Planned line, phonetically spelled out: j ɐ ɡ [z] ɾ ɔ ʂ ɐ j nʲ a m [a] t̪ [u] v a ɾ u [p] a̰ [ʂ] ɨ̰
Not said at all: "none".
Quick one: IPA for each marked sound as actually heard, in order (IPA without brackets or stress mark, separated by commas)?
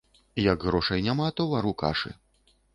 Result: ɣ, a, ɔ, k, ʂ